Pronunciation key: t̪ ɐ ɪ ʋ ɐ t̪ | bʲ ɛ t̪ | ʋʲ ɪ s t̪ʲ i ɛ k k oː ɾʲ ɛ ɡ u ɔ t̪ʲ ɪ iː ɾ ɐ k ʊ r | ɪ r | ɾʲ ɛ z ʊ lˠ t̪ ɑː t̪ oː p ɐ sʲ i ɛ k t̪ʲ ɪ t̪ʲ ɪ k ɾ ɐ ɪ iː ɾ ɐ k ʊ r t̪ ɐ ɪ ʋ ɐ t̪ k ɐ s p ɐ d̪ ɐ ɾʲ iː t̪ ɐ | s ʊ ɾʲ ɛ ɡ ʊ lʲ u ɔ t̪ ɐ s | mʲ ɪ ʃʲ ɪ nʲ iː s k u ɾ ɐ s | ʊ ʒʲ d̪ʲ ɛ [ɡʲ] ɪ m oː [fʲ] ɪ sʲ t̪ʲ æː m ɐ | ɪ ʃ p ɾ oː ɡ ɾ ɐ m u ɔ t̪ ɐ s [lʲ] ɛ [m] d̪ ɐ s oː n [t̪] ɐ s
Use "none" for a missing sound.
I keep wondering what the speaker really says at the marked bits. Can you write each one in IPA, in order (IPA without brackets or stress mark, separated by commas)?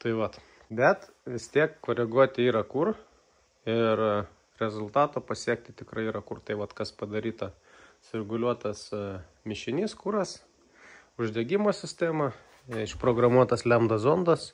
ɡʲ, sʲ, lʲ, m, d̪